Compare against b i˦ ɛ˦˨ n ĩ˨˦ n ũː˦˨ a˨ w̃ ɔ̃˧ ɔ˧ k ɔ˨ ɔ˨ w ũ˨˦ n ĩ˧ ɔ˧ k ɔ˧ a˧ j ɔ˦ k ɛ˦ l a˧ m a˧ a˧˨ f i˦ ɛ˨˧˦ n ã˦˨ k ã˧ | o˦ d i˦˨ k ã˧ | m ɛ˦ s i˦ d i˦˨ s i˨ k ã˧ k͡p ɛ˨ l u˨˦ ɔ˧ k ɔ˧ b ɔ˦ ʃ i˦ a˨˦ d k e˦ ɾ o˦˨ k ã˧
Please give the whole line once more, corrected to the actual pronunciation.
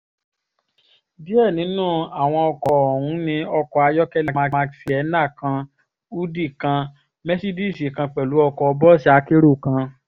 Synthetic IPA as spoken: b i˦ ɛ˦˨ n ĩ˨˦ n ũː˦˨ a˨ w̃ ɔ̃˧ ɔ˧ k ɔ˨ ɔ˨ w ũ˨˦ n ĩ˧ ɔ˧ k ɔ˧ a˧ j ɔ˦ k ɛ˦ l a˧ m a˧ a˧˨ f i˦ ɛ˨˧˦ n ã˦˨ k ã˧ | u˦ d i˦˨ k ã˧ | m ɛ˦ s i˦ d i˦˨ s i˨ k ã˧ k͡p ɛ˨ l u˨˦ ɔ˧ k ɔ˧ b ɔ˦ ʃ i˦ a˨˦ k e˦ ɾ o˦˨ k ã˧

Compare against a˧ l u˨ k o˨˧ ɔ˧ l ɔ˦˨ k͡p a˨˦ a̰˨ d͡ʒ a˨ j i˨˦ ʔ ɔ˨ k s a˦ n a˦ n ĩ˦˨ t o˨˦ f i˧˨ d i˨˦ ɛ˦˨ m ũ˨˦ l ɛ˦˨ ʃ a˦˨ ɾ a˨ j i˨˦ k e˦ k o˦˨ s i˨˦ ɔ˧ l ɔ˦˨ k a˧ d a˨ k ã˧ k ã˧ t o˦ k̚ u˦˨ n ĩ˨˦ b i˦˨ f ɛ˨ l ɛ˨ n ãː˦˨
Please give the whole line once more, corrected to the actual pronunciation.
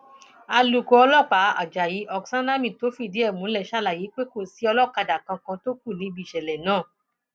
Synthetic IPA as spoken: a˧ l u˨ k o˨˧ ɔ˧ l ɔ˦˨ k͡p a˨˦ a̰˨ d͡ʒ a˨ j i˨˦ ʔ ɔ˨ k s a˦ n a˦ m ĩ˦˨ t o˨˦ f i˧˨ d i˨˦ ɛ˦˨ m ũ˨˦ l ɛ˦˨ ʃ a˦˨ l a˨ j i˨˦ k͡p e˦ k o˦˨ s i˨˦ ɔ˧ l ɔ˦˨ k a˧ d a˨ k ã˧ k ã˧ t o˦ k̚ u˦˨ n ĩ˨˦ b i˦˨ ʃ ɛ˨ l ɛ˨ n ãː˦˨

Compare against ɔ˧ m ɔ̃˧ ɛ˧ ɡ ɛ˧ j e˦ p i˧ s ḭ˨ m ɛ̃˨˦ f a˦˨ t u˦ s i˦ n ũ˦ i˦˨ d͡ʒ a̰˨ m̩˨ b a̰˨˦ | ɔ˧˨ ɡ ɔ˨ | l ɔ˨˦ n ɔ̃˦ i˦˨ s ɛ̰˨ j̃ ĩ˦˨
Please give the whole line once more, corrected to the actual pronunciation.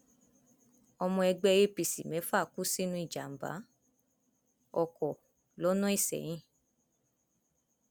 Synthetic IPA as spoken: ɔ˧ m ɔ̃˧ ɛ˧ ɡ͡b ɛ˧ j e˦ p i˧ s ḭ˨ m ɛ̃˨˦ f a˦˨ k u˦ s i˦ n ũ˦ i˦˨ d͡ʒ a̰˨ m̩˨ b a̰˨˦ | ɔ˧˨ k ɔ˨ | l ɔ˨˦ n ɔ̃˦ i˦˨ s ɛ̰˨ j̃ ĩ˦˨

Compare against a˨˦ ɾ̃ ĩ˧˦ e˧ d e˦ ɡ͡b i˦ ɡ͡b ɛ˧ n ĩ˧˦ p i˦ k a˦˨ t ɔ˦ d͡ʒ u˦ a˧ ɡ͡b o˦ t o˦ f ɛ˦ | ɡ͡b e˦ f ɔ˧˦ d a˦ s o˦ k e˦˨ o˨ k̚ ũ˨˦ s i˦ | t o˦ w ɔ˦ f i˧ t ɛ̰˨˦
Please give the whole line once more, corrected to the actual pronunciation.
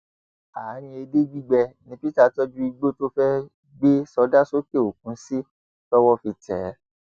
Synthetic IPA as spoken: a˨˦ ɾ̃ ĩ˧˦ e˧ d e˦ ɡ͡b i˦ ɡ͡b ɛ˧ n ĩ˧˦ p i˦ t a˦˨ t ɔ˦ d͡ʒ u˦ i˧ ɡ͡b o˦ t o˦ f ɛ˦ | ɡ͡b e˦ s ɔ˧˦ d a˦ s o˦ k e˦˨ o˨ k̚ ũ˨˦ s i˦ | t ɔ˦ w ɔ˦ f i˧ t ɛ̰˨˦

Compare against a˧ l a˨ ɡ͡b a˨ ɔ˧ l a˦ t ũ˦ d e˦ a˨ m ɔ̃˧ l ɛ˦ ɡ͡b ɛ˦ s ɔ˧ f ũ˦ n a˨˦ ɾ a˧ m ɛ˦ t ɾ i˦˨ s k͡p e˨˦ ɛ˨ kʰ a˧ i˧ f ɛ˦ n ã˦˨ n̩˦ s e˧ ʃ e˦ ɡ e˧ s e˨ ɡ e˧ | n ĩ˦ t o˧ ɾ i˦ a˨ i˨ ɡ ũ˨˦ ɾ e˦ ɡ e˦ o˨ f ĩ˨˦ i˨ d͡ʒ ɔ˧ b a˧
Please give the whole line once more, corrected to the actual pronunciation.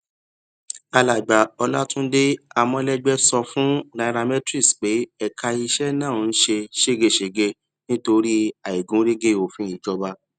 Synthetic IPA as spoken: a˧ l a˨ ɡ͡b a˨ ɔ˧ l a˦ t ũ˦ d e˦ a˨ m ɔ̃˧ l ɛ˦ ɡ͡b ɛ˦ s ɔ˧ f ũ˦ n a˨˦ ɾ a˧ m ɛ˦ t ɾ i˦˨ s k͡p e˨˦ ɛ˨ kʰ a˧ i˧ ʃ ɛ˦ n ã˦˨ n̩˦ ʃ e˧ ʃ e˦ ɡ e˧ ʃ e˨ ɡ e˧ | n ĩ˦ t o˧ ɾ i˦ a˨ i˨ ɡ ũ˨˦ ɾ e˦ ɡ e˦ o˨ f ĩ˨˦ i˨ d͡ʒ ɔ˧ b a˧

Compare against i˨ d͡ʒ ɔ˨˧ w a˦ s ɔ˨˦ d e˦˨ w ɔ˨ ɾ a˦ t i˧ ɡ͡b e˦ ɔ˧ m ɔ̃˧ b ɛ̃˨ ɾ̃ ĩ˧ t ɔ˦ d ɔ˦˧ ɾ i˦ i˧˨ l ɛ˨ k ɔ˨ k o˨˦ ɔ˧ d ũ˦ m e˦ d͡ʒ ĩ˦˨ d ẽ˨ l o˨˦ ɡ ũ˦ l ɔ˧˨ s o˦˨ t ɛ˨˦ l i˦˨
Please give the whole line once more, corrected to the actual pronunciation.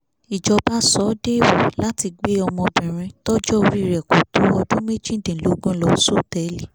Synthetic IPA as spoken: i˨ d͡ʒ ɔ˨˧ b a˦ s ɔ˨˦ d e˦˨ w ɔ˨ l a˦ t i˧ ɡ͡b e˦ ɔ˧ m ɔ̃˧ b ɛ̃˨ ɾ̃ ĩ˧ t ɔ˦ d͡ʒ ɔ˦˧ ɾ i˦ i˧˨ ɾ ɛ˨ k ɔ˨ t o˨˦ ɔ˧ d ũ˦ m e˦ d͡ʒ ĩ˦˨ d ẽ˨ l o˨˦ ɡ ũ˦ l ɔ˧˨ s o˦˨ t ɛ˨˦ l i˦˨

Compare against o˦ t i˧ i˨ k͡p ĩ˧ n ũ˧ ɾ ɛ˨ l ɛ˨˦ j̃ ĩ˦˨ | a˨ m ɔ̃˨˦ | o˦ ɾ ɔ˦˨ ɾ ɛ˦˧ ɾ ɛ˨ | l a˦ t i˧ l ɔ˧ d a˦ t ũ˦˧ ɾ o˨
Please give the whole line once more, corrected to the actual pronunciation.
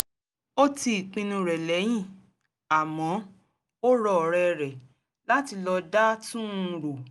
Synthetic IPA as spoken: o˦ t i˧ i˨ k͡p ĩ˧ n ũ˧ ɾ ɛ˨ l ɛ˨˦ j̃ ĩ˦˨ | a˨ m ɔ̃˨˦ | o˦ ɾ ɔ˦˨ ɾ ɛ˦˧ ɾ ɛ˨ | l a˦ t i˧ l ɔ˧ d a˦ t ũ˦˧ ɾ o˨

